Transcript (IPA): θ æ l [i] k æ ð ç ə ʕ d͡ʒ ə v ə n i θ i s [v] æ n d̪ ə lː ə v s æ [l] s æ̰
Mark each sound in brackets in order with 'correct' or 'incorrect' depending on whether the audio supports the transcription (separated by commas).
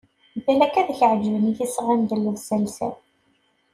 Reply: incorrect, incorrect, correct